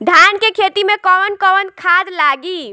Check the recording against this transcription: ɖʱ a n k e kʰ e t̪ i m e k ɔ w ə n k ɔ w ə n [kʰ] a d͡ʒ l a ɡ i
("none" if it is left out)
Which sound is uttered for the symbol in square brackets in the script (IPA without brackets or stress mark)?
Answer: kʰ